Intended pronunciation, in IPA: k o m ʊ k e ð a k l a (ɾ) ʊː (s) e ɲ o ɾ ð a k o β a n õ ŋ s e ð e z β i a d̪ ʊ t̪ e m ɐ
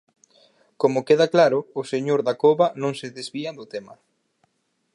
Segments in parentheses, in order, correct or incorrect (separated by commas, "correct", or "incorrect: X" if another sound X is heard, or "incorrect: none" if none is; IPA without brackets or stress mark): correct, correct